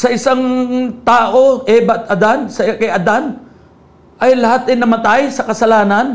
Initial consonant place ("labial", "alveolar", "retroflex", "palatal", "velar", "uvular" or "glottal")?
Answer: alveolar